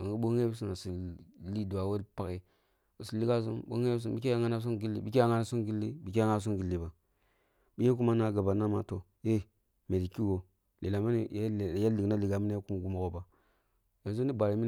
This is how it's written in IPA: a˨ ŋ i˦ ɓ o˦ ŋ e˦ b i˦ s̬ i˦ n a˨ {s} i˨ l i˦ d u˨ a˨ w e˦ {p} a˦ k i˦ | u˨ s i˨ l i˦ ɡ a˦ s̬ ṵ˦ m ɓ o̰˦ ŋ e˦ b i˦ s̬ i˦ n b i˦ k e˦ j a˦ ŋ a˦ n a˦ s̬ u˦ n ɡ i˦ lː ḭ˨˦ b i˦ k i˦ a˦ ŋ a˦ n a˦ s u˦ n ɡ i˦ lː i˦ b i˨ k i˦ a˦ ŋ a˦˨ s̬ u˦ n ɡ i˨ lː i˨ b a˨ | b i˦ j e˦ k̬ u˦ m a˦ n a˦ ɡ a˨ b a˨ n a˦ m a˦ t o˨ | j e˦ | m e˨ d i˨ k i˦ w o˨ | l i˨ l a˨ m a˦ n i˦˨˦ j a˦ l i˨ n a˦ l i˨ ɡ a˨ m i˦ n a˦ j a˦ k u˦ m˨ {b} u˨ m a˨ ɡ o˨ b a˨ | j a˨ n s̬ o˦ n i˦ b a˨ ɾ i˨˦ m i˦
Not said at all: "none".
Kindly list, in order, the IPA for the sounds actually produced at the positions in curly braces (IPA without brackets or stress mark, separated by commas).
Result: s, p, ɡ